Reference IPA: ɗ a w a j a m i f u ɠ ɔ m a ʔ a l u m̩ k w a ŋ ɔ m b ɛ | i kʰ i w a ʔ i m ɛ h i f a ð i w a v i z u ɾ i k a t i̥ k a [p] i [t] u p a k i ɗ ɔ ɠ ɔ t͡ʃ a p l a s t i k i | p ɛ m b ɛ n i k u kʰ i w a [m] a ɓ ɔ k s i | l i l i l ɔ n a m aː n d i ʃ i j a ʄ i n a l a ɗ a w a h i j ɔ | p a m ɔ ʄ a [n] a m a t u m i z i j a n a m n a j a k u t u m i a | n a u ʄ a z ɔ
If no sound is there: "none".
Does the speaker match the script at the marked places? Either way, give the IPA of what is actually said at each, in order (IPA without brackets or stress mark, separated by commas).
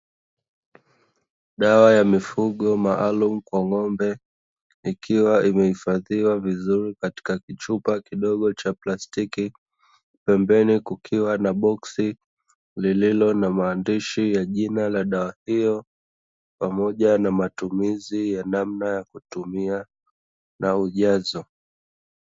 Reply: k, t͡ʃ, n, n